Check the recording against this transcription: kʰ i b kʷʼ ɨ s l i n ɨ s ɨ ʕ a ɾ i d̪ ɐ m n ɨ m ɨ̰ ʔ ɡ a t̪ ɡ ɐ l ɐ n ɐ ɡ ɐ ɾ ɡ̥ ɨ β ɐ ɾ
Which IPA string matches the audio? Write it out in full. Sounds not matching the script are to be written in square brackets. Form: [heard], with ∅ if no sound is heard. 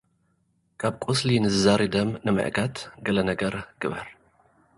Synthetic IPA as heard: kʰ [a] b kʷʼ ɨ s l i n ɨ [z] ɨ [z] a ɾ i d̪ ɐ m n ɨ m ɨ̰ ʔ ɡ a t̪ ɡ ɐ l ɐ n ɐ ɡ ɐ ɾ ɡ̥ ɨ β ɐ ɾ